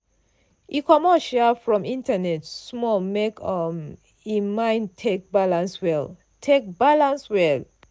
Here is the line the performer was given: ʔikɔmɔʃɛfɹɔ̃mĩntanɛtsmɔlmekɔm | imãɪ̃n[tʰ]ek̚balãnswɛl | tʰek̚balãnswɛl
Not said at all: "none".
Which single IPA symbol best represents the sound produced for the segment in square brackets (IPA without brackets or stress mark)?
tʰ